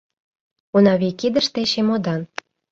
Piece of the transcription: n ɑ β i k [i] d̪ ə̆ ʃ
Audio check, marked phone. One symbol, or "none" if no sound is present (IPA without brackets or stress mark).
i